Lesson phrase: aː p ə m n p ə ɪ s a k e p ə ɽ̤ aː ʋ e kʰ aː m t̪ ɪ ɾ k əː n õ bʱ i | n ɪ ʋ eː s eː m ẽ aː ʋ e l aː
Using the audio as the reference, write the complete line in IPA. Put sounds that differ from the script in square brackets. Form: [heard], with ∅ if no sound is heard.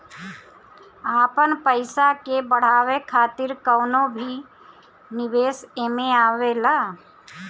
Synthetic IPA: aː p ə [∅] n p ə ɪ s a k e [b] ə ɽ̤ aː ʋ e kʰ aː [∅] t̪ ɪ ɾ k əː n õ bʱ i | n ɪ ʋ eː s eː m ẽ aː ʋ e l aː